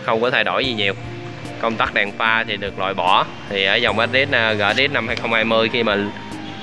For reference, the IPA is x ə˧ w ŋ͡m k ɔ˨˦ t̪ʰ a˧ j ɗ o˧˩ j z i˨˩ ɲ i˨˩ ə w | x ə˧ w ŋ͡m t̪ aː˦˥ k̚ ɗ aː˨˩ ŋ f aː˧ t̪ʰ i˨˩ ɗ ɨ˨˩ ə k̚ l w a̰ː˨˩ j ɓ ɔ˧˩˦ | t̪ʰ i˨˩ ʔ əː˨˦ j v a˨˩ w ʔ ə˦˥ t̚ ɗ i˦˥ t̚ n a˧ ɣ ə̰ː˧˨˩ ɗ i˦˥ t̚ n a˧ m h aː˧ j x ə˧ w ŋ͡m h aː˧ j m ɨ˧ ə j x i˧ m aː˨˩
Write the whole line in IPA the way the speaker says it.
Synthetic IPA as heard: x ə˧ w ŋ͡m k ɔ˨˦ t̪ʰ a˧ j ɗ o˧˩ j z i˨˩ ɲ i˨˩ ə w | k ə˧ w ŋ͡m t̪ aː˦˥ k̚ ɗ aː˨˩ ŋ f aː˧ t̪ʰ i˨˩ ɗ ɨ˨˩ ə k̚ l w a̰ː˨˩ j ɓ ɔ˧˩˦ | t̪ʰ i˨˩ ʔ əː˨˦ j z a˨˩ w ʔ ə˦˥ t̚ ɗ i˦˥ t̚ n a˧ ɣ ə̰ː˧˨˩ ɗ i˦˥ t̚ n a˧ m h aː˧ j x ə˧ w ŋ͡m h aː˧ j m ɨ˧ ə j x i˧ m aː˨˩